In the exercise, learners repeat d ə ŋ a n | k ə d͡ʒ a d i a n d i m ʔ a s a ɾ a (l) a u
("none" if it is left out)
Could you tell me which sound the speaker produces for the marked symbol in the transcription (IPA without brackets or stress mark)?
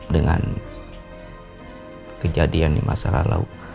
l